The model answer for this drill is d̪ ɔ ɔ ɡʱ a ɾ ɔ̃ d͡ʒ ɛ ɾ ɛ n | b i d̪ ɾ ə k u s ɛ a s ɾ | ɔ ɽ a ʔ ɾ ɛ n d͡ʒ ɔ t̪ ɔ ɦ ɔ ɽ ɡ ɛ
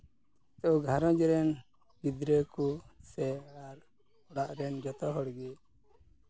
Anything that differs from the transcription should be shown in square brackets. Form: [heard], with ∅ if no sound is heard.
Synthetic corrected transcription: [t̪] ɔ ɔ ɡʱ a ɾ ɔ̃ d͡ʒ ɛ ɾ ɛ n | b i d̪ ɾ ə k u s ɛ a [∅] ɾ | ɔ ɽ a ʔ ɾ ɛ n d͡ʒ ɔ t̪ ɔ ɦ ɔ ɽ ɡ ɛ

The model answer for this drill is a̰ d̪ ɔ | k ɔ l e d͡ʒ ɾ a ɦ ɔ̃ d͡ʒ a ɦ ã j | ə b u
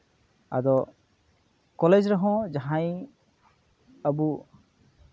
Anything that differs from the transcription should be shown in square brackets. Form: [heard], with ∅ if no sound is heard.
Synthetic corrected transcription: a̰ d̪ ɔ | k ɔ l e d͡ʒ ɾ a ɦ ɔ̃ d͡ʒ a ɦ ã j | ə b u

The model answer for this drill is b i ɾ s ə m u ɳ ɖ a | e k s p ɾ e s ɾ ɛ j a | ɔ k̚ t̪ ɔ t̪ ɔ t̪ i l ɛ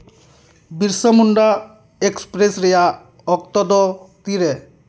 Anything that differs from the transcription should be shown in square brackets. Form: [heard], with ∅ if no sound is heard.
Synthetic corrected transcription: b i ɾ s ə m u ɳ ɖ a | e k s p ɾ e s ɾ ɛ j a | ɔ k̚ t̪ ɔ [d̪] ɔ t̪ i [ɾ] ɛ

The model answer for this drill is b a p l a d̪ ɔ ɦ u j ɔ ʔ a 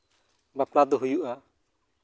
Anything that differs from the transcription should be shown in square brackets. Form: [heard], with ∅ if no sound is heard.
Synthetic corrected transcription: b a p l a d̪ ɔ ɦ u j [u] ʔ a

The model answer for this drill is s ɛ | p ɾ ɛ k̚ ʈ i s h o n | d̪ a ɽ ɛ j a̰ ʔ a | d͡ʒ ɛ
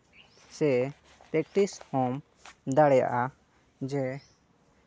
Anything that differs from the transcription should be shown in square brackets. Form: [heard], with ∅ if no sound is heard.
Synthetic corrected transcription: s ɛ | p ɾ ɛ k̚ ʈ i s h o [m] | d̪ a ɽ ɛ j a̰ ʔ a | d͡ʒ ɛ

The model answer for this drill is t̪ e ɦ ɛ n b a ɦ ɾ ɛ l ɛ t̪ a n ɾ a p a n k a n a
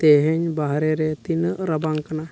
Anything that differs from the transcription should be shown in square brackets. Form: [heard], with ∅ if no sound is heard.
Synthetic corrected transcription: t̪ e ɦ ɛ [ɲ] b a ɦ ɾ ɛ [ɾ] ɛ t̪ [i] n ɾ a [b] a [ŋ] k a n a

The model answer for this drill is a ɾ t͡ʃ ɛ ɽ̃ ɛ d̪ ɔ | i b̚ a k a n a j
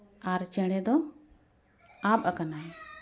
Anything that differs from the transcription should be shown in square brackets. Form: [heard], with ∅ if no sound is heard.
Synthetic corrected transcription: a ɾ t͡ʃ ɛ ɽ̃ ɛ d̪ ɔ | [a] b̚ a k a n a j

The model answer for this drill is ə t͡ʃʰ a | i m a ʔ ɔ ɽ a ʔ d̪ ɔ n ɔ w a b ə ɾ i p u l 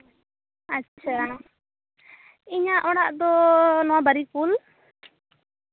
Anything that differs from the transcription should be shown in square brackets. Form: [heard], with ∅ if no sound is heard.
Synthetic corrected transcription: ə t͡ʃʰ a | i [ɲ] a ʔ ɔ ɽ a ʔ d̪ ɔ n ɔ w a b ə ɾ i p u l

